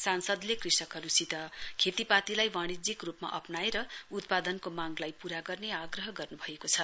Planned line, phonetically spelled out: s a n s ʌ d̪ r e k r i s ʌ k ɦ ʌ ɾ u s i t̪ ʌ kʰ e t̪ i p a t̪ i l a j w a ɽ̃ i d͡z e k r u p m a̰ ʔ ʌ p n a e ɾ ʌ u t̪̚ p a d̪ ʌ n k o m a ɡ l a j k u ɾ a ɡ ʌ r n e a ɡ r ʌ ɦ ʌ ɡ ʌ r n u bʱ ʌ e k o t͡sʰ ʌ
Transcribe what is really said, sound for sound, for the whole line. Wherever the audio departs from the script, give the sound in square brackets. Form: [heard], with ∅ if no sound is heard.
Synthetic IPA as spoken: s a n s ʌ d̪ [l] e k r i s ʌ k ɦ ʌ ɾ u s i t̪ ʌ kʰ e t̪ i p a t̪ i l a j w a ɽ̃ i d͡z [i] k r u p m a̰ ʔ ʌ p n a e ɾ ʌ u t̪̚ p a d̪ ʌ n k o m a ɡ l a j [p] u ɾ a ɡ ʌ r n e a ɡ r ʌ ɦ ʌ ɡ ʌ r n u bʱ ʌ e k o t͡sʰ ʌ